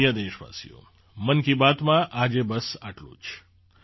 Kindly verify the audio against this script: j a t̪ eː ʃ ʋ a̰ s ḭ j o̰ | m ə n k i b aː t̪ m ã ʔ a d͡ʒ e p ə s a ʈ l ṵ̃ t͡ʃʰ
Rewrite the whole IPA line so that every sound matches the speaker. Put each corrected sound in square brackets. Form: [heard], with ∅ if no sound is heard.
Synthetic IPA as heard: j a [d̪] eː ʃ ʋ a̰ s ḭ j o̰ | m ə n k i b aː t̪ m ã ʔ a d͡ʒ e [b] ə s a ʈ l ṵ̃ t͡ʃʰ